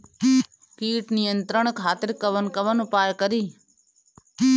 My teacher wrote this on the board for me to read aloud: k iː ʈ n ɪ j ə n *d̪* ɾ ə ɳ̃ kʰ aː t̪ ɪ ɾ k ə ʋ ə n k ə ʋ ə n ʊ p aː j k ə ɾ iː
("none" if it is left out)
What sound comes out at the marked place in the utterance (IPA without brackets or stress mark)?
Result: t̪